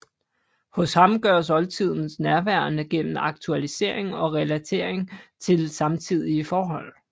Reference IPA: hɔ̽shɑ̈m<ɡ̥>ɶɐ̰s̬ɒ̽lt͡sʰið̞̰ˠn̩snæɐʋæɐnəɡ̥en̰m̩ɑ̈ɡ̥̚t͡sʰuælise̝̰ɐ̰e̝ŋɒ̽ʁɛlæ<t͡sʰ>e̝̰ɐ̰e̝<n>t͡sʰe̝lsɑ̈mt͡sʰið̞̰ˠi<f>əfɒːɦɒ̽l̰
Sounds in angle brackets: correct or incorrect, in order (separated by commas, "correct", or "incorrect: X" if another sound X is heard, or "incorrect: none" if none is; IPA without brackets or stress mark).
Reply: correct, correct, incorrect: ŋ, incorrect: none